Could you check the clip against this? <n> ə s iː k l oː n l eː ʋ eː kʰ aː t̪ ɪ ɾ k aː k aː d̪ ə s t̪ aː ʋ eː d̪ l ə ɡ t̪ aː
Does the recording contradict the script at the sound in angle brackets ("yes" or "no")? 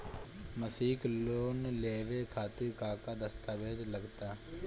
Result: yes